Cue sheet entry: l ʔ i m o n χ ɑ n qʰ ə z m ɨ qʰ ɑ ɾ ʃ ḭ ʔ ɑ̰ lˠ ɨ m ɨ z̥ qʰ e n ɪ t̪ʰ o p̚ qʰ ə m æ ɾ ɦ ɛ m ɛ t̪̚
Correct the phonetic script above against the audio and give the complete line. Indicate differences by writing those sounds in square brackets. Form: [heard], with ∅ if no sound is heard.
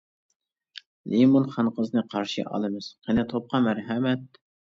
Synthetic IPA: l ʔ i m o n χ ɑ n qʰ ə z [n] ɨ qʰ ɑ ɾ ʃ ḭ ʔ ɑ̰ lˠ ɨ m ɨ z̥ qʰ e n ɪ t̪ʰ o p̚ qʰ [ɑ] m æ ɾ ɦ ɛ m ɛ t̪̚